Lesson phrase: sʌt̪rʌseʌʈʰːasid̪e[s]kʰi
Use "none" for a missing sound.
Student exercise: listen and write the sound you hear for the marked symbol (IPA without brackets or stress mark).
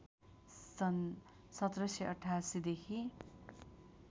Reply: none